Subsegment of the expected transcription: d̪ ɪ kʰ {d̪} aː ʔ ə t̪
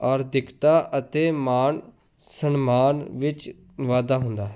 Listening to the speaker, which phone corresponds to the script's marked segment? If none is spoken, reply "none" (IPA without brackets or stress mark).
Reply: t̪